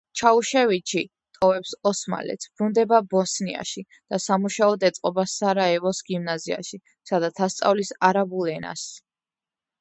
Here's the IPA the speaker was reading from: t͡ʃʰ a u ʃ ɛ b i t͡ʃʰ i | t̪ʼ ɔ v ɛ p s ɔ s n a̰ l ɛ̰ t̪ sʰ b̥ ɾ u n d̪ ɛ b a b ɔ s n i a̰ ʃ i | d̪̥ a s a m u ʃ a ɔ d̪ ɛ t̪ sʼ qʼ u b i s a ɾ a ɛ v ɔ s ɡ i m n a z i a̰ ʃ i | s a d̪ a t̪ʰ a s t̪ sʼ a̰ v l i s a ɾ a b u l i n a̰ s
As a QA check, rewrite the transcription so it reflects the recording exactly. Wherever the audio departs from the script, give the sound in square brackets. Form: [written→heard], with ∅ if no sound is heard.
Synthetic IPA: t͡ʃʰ a u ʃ ɛ [b→v] i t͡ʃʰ i | t̪ʼ ɔ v ɛ p s ɔ s [n→m] a̰ l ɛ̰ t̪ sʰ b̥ ɾ u n d̪ ɛ b a b ɔ s n i a̰ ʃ i | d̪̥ a s a m u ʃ a ɔ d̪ ɛ t̪ sʼ qʼ [u→ɔ] b [i→a] s a ɾ a ɛ v ɔ s ɡ i m n a z i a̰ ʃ i | s a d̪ a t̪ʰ a s t̪ sʼ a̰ v l i s a ɾ a b u l [i→ɛ] n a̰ s